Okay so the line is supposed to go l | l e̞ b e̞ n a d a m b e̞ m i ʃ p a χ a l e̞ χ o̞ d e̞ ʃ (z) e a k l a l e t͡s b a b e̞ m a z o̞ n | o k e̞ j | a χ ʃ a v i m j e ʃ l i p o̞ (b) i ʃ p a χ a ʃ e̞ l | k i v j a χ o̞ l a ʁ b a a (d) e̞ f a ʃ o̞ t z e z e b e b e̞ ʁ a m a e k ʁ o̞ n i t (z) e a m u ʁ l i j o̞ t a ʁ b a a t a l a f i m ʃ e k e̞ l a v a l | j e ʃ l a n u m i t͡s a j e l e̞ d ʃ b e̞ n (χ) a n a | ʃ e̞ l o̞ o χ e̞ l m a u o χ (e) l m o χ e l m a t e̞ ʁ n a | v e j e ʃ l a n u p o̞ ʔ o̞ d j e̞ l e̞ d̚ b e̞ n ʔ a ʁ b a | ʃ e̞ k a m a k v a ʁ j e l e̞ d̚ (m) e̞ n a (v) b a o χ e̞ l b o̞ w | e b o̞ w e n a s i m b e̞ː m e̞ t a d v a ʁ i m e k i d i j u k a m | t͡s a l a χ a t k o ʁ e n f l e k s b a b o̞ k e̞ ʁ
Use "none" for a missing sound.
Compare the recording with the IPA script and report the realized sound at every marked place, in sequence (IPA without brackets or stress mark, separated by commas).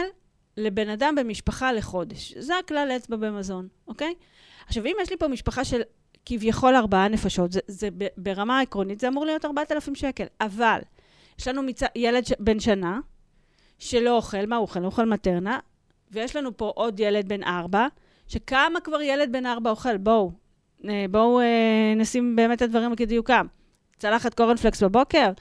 z, m, n, z, ʃ, e, b, ʁ